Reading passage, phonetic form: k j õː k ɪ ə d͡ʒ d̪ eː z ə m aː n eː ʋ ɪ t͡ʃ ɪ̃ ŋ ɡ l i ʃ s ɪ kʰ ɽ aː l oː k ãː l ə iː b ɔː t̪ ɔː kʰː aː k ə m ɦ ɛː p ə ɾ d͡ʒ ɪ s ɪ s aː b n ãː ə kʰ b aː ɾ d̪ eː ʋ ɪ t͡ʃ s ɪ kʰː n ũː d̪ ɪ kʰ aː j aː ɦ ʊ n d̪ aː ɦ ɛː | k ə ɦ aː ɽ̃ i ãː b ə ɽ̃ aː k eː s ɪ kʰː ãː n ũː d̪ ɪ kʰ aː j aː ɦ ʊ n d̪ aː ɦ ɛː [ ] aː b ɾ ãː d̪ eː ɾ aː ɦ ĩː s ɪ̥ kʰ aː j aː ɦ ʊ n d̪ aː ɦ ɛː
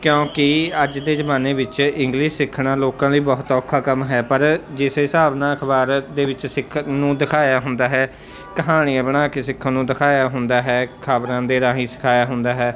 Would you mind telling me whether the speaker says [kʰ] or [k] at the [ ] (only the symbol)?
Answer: kʰ